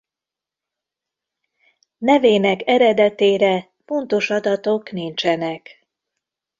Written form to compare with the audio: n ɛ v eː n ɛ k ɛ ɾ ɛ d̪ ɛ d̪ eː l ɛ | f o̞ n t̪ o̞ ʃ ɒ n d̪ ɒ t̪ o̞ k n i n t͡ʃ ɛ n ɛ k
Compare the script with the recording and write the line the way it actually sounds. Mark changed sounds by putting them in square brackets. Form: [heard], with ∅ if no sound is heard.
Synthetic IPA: n ɛ v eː n ɛ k ɛ ɾ ɛ d̪ ɛ [t̪] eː [ɾ] ɛ | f o̞ n t̪ o̞ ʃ ɒ [∅] d̪ ɒ t̪ o̞ k n i n t͡ʃ ɛ n ɛ k